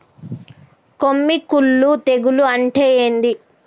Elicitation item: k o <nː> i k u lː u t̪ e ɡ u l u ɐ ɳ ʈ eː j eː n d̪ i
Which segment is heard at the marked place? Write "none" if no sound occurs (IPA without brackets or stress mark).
mː